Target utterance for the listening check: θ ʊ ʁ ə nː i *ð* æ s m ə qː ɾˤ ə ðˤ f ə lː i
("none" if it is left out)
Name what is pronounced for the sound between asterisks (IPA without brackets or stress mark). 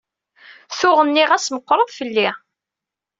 ʁ